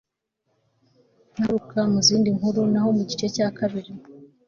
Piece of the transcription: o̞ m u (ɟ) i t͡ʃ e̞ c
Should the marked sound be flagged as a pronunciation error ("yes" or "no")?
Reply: no